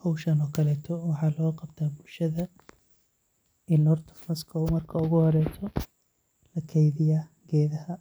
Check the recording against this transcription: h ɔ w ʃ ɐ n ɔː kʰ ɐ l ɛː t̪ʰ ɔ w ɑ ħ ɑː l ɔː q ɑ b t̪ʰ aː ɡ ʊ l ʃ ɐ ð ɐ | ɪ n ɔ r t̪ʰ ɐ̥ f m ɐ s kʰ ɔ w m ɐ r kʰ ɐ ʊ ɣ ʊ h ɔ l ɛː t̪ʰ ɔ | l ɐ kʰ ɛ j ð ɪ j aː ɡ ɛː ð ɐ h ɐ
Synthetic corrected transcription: h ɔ w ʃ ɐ n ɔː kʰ ɐ l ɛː t̪ʰ ɔ w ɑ ħ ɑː l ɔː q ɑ b t̪ʰ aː b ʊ l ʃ ɐ ð ɐ | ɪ n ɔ r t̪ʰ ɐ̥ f m ɐ s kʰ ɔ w m ɐ r kʰ ɐ ʊ ɣ ʊ h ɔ ɾ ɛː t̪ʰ ɔ | l ɐ kʰ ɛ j ð ɪ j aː ɡ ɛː ð ɐ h ɐ